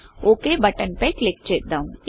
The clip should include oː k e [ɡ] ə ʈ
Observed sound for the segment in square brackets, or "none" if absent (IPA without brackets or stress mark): b